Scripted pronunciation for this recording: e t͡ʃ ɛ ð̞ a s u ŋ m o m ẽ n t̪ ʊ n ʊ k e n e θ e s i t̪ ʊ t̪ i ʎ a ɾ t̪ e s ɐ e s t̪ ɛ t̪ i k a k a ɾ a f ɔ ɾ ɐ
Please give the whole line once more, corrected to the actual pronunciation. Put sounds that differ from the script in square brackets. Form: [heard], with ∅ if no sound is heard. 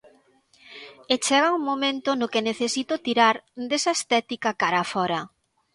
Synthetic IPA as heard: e t͡ʃ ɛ [ɣ̞] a [∅] u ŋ m o m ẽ n t̪ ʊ n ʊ k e n e θ e s i t̪ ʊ t̪ i [ɾ] a ɾ [d̪] e s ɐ e s t̪ ɛ t̪ i k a k a ɾ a f ɔ ɾ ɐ